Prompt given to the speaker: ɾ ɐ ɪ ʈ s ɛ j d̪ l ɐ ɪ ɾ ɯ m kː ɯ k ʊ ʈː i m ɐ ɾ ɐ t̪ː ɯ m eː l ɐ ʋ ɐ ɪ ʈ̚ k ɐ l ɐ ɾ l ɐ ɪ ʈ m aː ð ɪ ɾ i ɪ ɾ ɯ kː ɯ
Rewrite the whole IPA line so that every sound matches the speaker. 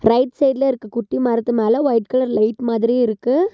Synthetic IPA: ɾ ɐ ɪ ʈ s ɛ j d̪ l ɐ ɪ ɾ ɯ kː ɯ k ʊ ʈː i m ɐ ɾ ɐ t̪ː ɯ m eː l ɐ ʋ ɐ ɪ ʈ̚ k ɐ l ɐ ɾ l ɐ ɪ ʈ m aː ð ɪ ɾ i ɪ ɾ ɯ kː ɯ

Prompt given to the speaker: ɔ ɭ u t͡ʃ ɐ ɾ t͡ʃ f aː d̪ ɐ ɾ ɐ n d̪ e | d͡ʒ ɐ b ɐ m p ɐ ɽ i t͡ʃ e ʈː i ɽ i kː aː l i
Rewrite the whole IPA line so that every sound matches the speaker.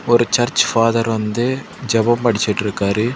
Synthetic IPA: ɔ ɾ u t͡ʃ ɐ ɾ t͡ʃ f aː d̪ ɐ ɾ ɐ n d̪ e | d͡ʒ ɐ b ɐ m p ɐ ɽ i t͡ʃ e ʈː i ɾ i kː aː ɾ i

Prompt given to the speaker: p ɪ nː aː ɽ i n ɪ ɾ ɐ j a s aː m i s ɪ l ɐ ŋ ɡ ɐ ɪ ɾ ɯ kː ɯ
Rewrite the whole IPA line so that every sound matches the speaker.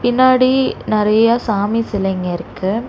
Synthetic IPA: p ɪ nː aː ɽ i n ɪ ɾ ɐ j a s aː m i s ɪ l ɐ ŋ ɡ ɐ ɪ ɾ ɯ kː ɯ

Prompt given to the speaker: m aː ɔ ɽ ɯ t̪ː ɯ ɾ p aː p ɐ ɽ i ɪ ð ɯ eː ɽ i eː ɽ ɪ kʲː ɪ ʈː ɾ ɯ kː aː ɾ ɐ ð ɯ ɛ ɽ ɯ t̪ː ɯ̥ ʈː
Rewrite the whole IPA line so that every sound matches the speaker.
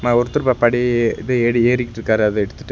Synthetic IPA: m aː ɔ ɾ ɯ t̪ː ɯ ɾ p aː p ɐ ɽ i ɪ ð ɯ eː ɽ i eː ɾ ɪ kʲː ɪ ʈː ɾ ɯ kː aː ɾ ɐ ð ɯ ɛ ɽ ɯ t̪ː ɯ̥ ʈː

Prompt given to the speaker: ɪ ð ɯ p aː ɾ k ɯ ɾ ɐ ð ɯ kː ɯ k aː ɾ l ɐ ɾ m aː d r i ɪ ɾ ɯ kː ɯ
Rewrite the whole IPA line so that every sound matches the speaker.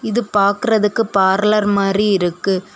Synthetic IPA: ɪ ð ɯ p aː ɾ k ɯ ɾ ɐ ð ɯ kː ɯ p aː ɾ l ɐ ɾ m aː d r i ɪ ɾ ɯ kː ɯ

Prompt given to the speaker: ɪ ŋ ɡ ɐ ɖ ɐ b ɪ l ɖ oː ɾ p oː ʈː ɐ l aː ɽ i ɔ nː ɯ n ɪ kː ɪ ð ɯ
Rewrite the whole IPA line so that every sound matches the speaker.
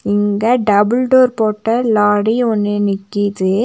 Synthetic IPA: ɪ ŋ ɡ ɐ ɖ ɐ b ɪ l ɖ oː ɾ p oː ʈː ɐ l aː ɽ i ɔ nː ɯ n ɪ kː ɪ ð ɯ

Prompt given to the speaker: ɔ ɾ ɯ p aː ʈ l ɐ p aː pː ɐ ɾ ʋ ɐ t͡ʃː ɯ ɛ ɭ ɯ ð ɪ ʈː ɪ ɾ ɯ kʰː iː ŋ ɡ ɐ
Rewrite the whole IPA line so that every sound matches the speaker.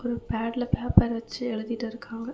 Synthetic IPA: ɔ ɾ ɯ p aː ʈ l ɐ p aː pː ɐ ɾ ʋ ɐ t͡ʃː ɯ ɛ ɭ ɯ ð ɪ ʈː ɪ ɾ ɯ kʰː aː ŋ ɡ ɐ

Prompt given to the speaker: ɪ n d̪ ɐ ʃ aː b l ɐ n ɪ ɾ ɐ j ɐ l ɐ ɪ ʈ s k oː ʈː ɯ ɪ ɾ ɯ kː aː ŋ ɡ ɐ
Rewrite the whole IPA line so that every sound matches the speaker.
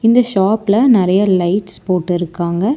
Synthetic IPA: ɪ n d̪ ɐ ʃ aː p l ɐ n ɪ ɾ ɐ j ɐ l ɐ ɪ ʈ s p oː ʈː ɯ ɪ ɾ ɯ kː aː ŋ ɡ ɐ

